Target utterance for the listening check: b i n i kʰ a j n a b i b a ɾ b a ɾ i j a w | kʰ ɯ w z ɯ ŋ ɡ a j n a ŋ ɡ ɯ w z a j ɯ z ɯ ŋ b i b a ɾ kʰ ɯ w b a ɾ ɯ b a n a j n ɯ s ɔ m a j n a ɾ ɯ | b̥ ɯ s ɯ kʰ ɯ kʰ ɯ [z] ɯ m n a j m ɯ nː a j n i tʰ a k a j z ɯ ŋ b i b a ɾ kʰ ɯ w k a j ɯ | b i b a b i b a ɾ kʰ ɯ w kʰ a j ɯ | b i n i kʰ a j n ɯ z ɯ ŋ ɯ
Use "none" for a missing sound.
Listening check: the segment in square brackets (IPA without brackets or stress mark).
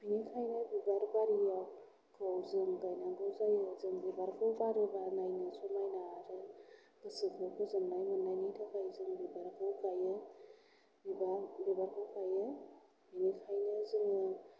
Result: z